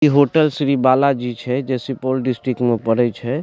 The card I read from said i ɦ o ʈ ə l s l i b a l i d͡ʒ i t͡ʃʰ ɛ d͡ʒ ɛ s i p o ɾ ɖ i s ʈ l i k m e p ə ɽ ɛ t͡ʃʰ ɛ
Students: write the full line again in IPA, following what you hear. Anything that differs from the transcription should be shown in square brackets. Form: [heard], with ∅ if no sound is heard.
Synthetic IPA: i ɦ o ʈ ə l s [ɾ] i b a l [a] d͡ʒ i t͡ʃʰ ɛ d͡ʒ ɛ s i p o [l] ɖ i s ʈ [ɾ] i k m e p ə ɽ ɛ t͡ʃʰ ɛ